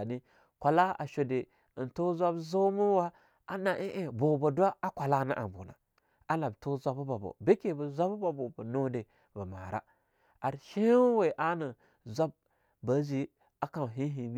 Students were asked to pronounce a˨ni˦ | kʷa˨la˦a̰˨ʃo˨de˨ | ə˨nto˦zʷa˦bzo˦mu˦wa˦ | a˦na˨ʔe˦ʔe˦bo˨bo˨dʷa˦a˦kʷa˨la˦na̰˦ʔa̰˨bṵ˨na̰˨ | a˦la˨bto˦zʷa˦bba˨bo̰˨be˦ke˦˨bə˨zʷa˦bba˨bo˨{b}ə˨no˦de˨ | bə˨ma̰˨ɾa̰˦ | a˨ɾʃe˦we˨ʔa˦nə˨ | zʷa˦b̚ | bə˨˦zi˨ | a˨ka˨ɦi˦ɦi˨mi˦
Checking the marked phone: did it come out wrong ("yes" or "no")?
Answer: no